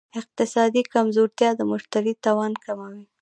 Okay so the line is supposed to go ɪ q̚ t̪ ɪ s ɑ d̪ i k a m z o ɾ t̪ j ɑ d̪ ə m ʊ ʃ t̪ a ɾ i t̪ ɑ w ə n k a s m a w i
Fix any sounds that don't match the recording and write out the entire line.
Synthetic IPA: ɪ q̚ t̪ ɪ s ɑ d̪ i k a m z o ɾ t̪ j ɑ d̪ ə m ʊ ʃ t̪ a ɾ i t̪ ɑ w ɑ n k a m a w i